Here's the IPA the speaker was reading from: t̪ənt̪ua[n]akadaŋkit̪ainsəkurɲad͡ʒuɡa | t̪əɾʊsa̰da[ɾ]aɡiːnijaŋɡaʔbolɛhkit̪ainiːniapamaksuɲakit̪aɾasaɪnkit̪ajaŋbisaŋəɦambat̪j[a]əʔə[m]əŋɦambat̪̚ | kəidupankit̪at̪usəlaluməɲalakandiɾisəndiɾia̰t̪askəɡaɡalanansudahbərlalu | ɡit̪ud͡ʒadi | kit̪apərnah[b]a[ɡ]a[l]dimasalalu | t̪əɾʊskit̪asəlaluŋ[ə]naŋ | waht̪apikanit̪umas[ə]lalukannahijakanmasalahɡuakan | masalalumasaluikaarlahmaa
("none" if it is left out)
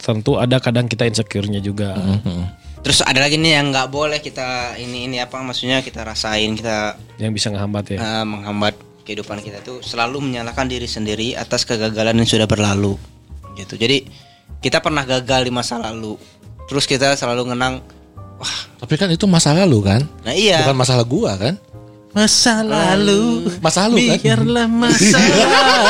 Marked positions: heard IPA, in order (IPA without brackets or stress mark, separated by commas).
d, l, a, m, ɡ, ɡ, l, ə, a